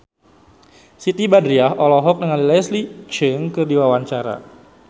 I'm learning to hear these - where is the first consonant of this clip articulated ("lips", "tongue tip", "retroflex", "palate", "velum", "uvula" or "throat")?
tongue tip